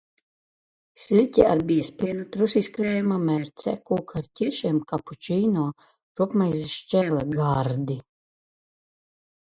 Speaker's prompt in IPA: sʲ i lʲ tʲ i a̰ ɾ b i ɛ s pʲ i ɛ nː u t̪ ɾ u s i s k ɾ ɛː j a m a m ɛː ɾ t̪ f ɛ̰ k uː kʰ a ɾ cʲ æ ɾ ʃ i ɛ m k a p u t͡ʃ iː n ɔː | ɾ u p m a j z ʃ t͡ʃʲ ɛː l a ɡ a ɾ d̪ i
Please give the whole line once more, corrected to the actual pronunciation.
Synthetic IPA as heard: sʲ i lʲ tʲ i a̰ ɾ b i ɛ s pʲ i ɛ n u t̪ ɾ u s i s k ɾ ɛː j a m a m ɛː ɾ t̪ s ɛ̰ k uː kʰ a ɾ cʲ i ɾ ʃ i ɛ m k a p u t͡ʃ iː n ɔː | ɾ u p m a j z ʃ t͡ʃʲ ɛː l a ɡ a ɾ d̪ i